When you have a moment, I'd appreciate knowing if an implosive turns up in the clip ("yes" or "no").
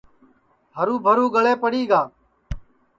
no